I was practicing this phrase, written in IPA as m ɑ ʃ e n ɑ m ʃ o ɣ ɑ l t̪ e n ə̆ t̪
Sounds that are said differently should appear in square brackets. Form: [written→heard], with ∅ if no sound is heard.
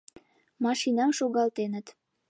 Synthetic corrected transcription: m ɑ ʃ [e→i] n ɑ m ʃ o ɣ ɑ l t̪ e n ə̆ t̪